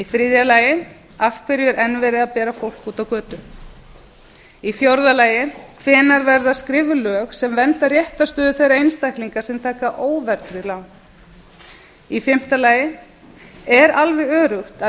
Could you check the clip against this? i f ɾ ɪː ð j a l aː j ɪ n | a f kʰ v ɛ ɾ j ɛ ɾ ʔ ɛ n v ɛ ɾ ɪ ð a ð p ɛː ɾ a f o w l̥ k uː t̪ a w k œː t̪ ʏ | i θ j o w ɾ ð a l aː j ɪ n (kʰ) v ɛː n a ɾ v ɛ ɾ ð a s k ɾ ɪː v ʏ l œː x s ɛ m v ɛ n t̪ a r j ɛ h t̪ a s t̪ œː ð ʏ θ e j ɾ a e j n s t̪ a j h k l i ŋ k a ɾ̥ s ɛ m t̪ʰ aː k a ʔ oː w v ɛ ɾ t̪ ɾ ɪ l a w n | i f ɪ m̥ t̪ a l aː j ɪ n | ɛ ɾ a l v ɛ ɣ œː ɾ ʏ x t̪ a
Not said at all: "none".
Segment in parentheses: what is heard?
kʰ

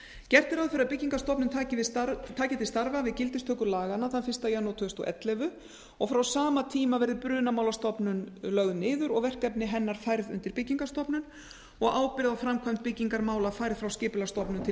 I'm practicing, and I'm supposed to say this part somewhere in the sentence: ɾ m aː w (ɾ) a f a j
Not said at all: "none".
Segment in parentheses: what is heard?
l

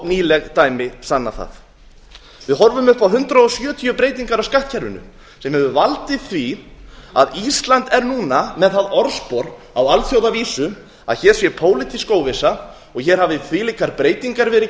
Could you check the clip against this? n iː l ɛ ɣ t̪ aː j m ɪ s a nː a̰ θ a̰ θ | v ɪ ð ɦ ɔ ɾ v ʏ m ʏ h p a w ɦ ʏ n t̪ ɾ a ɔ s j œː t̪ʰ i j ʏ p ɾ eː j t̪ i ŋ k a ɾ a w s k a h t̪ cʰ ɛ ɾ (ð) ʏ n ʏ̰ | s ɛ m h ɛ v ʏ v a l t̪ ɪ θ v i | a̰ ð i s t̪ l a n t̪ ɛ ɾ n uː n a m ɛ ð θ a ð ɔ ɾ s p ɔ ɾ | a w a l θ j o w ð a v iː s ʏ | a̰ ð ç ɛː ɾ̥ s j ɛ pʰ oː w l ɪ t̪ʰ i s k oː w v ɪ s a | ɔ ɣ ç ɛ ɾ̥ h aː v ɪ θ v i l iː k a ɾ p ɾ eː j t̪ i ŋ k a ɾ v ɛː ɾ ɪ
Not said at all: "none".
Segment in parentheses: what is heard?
v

